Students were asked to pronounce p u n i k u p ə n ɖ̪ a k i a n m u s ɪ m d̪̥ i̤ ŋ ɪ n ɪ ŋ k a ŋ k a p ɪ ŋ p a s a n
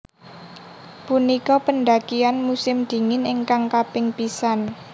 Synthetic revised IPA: p u n i k ɔ p ə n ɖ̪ a k i a n m u s ɪ m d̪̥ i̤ ŋ ɪ n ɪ ŋ k a ŋ k a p ɪ ŋ p i s a n

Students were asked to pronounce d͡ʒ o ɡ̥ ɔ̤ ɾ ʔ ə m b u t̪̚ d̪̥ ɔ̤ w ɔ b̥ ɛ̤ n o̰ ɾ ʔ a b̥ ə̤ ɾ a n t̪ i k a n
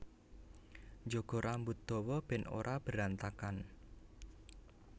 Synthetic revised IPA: d͡ʒ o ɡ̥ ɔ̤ ɾ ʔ a m b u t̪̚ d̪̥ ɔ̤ w ɔ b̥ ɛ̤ n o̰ ɾ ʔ a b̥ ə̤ ɾ a n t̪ a k a n

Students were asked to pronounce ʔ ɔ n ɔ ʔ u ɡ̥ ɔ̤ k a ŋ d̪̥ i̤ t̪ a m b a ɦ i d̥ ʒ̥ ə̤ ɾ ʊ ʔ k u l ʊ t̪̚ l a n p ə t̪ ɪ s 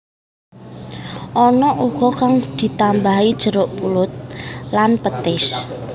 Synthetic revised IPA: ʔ ɔ n ɔ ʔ u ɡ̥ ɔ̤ k a ŋ d̪̥ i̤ t̪ a m b a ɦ i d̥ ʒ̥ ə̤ ɾ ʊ ʔ p u l ʊ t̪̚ l a n p ə t̪ ɪ s

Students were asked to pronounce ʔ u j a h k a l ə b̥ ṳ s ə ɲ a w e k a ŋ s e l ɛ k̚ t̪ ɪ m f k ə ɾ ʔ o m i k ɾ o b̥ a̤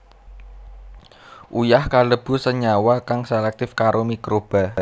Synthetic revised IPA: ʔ u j a h k a l ə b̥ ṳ s ə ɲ a w a k a ŋ s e l ɛ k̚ t̪ ɪ f k a ɾ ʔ o m i k ɾ o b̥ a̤

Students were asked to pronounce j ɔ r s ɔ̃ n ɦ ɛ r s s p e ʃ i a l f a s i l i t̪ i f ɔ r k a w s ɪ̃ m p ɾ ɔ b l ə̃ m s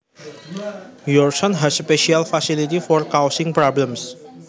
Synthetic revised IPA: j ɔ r s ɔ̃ n ɦ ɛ s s p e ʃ i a l f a s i l i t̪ i f ɔ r k a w s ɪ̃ ŋ p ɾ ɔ b l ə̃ m s

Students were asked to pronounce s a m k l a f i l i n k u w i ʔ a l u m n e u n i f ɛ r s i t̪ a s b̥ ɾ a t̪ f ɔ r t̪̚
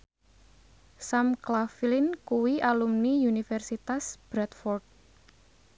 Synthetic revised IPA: s a m k l a f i l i n k u w i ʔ a l u m n i u n i f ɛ r s i t̪ a s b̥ ɾ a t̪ f ɔ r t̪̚

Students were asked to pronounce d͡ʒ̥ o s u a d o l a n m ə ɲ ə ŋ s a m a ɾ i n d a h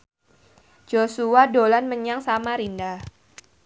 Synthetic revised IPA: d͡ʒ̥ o s u a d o l a n m ə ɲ a ŋ s a m a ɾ i n d a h

